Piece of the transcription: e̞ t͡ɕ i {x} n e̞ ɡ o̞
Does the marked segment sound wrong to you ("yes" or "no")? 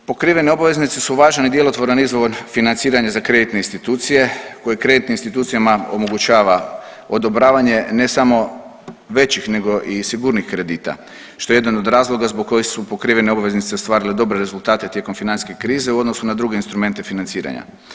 no